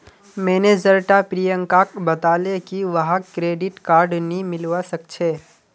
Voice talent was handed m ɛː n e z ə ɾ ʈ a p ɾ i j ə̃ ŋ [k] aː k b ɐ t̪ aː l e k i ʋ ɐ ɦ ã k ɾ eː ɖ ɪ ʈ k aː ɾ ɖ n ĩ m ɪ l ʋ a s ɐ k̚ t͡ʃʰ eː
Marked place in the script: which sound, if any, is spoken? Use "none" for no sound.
k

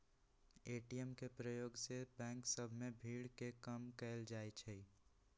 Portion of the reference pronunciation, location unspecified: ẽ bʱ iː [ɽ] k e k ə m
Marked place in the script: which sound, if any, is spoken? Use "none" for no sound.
ɽ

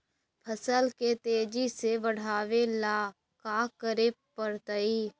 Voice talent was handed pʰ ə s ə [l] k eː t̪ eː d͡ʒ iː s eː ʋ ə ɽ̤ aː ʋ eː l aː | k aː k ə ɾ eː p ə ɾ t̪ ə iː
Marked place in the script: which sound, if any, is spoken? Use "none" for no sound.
l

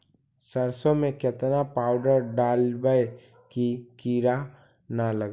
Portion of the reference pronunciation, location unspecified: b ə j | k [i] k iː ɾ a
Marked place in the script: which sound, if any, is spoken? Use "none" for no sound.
i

